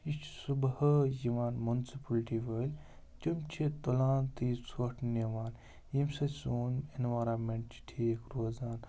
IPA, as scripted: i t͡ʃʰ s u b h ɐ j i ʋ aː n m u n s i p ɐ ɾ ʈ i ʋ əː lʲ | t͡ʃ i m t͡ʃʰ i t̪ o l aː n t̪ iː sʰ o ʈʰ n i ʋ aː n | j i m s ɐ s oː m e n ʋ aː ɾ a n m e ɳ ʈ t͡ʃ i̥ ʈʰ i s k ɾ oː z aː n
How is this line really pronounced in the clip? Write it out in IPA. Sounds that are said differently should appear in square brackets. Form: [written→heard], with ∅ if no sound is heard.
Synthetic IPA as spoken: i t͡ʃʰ s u b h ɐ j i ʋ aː n m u n s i p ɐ [ɾ→l] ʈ i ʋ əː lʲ | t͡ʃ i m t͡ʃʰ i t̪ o l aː n t̪ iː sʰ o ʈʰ n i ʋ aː n | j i m s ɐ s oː [m→n] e n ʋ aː ɾ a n m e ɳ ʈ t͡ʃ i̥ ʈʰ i [s→∅] k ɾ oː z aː n